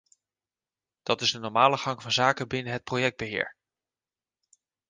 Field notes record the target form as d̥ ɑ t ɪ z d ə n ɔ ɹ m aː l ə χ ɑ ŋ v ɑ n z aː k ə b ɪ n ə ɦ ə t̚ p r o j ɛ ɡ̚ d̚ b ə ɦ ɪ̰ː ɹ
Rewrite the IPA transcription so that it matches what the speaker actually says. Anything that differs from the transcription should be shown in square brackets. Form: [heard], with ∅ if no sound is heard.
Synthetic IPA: d̥ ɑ t ɪ z d ə n ɔ ɹ m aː l ə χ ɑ ŋ v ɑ n z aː k ə b ɪ n ə ɦ ə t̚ p r o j ɛ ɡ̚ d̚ b ə ɦ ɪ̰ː ɹ